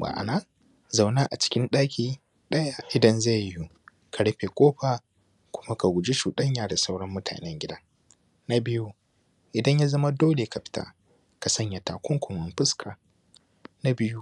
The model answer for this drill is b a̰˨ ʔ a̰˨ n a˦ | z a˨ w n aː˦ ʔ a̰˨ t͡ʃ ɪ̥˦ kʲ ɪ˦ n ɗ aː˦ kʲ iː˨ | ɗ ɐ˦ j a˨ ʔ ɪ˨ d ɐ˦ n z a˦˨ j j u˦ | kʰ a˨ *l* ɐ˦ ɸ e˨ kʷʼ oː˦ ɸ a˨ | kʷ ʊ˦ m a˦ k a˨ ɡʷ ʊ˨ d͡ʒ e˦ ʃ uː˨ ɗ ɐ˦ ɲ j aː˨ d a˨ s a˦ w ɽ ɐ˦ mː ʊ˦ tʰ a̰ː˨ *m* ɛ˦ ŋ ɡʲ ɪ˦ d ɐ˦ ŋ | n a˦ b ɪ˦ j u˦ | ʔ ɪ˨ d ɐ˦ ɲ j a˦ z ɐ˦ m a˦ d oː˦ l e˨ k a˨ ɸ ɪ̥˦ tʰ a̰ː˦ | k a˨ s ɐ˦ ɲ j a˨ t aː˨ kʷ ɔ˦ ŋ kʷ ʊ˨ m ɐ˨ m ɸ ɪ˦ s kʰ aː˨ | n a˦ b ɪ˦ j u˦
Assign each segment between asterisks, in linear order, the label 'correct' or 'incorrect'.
incorrect: ɽ, incorrect: n

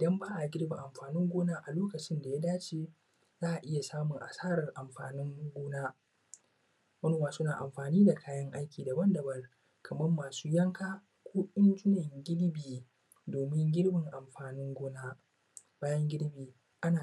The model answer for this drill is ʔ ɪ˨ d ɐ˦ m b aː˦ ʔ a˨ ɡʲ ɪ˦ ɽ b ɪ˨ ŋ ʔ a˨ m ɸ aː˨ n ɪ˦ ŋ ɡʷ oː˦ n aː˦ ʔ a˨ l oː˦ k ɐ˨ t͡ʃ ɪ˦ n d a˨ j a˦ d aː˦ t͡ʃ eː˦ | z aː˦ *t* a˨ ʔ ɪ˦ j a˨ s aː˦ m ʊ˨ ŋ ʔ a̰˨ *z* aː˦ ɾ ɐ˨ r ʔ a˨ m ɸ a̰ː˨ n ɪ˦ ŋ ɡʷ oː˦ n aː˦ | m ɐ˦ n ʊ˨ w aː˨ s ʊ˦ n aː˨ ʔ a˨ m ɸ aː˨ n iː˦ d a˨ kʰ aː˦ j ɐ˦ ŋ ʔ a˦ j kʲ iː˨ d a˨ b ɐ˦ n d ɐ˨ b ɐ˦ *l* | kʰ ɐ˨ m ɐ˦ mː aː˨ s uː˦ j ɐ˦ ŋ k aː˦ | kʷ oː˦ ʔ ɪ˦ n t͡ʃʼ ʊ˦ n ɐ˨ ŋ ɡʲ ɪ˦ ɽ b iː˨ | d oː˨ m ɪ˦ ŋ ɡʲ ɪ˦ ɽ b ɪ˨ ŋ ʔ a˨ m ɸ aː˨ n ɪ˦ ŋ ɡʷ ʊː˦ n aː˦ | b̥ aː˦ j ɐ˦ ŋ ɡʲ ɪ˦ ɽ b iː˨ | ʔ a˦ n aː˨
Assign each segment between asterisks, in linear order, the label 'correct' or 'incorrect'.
incorrect: ʔ, incorrect: s, incorrect: r

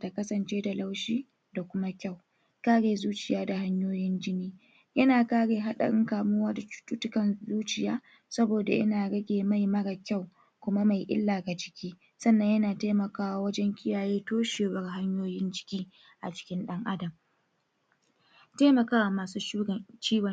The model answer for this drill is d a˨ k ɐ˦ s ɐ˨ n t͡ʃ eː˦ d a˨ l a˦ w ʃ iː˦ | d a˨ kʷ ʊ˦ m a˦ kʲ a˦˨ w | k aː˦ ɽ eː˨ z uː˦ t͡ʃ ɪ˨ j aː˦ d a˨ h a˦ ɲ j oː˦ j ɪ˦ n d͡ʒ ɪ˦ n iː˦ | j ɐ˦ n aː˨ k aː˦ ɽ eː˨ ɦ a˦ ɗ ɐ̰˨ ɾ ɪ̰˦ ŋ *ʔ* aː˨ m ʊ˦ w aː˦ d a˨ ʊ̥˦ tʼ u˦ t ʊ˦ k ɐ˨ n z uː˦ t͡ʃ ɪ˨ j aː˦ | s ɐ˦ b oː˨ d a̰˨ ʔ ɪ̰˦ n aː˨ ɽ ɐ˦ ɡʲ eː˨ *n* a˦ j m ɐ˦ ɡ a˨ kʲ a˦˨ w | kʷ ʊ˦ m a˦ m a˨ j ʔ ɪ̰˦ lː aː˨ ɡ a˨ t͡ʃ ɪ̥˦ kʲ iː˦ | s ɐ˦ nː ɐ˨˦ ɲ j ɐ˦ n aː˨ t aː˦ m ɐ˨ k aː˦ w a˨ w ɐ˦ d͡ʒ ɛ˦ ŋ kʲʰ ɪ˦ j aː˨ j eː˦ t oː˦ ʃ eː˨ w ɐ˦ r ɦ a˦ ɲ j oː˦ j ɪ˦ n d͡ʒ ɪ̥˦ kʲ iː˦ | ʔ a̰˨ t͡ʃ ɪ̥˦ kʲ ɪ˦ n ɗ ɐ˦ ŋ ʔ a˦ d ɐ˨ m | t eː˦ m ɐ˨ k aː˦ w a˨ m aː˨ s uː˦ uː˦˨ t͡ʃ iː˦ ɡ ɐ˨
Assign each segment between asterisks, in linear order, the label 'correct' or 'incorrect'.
incorrect: k, incorrect: m

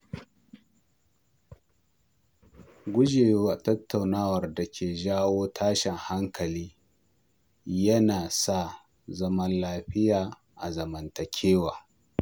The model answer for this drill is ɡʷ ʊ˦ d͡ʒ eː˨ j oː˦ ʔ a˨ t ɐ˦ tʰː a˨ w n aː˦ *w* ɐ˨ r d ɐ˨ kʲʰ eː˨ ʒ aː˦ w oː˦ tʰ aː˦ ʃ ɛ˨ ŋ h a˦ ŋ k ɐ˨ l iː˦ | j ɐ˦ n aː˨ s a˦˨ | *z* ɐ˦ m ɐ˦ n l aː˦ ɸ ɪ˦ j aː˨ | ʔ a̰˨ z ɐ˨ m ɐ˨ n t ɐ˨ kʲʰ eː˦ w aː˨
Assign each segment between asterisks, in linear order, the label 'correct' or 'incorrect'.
correct, correct

